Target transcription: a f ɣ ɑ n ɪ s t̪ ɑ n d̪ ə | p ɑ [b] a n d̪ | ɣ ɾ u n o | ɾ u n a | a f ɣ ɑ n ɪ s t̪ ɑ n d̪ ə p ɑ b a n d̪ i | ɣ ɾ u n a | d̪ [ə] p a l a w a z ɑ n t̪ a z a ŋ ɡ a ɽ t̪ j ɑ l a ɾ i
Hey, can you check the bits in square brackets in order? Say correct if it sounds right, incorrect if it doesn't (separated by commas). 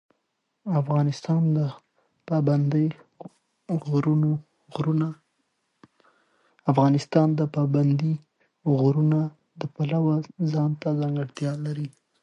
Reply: correct, correct